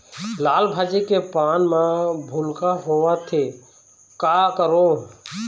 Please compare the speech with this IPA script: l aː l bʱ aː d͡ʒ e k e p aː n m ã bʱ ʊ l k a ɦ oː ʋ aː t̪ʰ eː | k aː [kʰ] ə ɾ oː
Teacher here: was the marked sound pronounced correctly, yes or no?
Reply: no